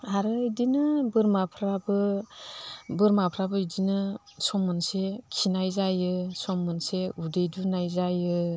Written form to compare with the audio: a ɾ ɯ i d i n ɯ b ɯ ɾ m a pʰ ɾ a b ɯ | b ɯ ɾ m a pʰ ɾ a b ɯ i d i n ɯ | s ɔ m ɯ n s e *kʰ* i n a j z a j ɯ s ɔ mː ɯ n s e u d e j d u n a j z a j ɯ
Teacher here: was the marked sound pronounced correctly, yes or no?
yes